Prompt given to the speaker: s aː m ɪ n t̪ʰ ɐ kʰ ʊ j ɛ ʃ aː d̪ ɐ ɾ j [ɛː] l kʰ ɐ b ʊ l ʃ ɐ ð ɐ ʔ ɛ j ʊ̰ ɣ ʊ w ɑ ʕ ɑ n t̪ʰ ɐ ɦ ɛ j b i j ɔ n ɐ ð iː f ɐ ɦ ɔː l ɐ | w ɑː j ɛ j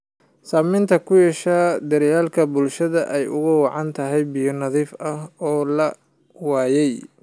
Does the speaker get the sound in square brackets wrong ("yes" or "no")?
yes